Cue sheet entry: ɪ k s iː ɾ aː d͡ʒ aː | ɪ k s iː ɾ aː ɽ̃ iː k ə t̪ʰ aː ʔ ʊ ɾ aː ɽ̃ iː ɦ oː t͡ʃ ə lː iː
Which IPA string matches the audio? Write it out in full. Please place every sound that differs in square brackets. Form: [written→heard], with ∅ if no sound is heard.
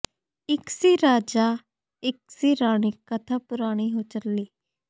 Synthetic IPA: ɪ k s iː ɾ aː d͡ʒ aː | ɪ k s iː ɾ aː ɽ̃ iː k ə t̪ʰ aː [ʔ→p] ʊ ɾ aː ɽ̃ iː ɦ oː t͡ʃ ə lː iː